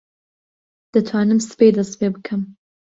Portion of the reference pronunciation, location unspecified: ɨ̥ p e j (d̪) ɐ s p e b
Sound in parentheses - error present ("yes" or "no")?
no